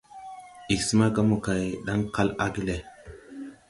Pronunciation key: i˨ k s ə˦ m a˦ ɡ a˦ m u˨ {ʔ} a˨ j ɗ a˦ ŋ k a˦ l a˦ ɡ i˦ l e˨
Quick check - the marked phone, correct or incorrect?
incorrect